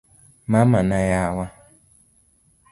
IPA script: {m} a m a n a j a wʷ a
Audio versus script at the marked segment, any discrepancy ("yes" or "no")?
no